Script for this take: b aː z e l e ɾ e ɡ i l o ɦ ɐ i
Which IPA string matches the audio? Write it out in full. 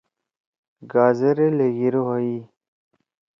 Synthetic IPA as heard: ɡ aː z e ɾ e l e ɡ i ɾ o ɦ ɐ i